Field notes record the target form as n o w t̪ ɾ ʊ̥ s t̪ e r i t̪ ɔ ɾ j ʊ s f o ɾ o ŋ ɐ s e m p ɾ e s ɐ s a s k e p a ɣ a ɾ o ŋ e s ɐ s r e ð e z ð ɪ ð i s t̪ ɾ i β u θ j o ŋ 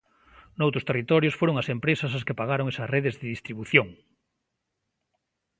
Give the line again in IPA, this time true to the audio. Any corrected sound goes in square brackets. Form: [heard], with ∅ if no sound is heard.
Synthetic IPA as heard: n o w t̪ ɾ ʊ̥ s t̪ e r i t̪ ɔ ɾ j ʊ s f o ɾ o ŋ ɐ s e m p ɾ e s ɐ s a s k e p a ɣ a ɾ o ŋ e s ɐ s r e ð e z ð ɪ ð i s t̪ ɾ i β u θ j o ŋ